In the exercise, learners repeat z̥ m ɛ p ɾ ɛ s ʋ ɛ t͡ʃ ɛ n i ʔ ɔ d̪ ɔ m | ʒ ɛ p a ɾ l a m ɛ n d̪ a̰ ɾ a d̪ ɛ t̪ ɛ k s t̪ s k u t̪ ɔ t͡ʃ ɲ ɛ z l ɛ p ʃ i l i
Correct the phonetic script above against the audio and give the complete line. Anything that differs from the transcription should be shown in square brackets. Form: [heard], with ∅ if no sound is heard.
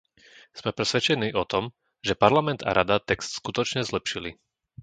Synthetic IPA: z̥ m ɛ p ɾ ɛ s ʋ ɛ t͡ʃ ɛ n [iː] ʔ ɔ [t̪] ɔ m | ʒ ɛ p a ɾ l a m ɛ n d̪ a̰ ɾ a d̪ [a] t̪ ɛ k s t̪ s k u t̪ ɔ t͡ʃ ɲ ɛ z l ɛ p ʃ i l i